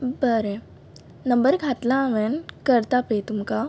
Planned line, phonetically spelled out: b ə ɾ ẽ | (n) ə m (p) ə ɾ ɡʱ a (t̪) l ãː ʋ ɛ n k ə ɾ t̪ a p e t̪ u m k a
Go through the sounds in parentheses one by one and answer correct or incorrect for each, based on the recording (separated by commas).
correct, incorrect, correct